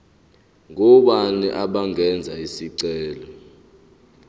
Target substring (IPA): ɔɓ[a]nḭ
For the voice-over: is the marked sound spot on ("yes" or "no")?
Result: yes